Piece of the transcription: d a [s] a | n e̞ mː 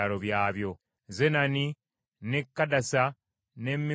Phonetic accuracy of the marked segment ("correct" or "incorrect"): correct